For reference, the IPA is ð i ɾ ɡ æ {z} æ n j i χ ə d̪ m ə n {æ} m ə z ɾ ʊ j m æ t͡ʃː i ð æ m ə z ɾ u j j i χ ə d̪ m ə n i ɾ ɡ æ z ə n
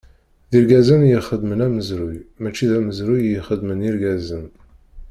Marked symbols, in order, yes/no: yes, yes

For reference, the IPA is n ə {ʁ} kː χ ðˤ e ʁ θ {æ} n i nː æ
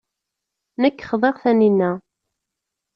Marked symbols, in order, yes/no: no, yes

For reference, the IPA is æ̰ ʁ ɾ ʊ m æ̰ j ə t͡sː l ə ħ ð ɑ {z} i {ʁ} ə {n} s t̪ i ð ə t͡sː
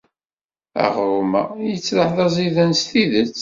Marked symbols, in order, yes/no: yes, no, yes

